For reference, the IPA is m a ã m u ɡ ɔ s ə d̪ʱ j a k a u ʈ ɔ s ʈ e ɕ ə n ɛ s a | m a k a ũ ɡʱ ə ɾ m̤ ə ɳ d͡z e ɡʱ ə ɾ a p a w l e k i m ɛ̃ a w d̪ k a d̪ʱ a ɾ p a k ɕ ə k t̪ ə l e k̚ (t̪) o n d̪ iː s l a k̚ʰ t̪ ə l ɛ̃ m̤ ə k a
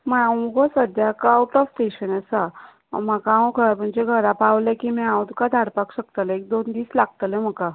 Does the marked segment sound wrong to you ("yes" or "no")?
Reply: yes